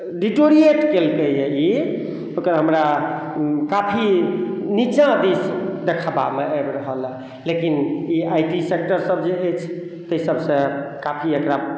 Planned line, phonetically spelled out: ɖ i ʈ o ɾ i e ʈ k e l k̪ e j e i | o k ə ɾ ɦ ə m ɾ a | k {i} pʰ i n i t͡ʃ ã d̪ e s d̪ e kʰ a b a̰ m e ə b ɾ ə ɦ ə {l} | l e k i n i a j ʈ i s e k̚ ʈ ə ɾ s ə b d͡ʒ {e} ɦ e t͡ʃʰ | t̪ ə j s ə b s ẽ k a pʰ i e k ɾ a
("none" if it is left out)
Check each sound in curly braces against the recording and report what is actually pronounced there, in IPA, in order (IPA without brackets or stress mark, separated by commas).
a, l, e